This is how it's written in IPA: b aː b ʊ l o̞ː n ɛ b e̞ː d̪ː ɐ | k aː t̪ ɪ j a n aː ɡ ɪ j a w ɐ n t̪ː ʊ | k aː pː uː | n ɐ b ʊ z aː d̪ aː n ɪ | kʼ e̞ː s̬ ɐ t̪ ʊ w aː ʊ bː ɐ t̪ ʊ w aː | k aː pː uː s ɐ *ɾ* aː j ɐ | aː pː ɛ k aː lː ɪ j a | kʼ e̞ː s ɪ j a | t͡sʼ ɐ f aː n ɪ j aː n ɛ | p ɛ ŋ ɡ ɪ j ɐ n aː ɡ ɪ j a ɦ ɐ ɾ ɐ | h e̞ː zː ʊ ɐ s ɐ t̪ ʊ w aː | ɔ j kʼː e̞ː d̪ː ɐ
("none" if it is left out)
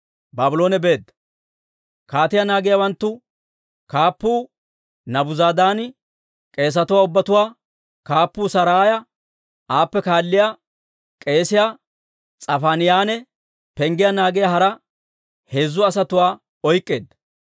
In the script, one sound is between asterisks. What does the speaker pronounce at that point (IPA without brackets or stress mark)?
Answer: ɾ